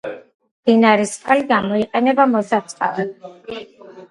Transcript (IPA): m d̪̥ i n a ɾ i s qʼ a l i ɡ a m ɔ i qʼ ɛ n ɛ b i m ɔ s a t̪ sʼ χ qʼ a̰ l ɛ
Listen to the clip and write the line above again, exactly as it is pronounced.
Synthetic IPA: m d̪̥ i n a ɾ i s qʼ a l i ɡ a m ɔ i qʼ ɛ n ɛ b a m ɔ s a t̪ sʼ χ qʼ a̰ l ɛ